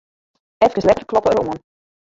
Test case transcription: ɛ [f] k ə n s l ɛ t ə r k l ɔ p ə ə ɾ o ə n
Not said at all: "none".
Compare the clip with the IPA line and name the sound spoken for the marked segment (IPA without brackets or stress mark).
f